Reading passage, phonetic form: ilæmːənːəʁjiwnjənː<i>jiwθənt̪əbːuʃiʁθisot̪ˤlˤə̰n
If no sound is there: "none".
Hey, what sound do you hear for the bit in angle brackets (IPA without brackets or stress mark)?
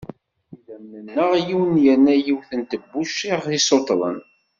æ